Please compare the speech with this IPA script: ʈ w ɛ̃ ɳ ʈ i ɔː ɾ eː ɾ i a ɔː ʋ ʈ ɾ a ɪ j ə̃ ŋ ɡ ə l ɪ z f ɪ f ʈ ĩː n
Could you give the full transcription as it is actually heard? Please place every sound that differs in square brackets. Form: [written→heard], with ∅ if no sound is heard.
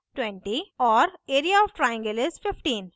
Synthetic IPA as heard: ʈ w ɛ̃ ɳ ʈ i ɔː ɾ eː ɾ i a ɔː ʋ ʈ ɾ a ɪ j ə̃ ŋ ɡ ə l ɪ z f ɪ f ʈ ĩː n